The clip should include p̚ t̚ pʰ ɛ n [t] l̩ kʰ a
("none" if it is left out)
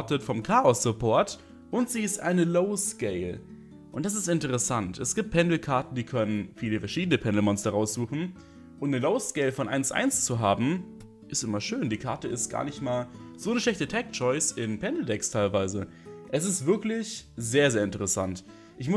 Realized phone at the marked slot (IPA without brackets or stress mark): d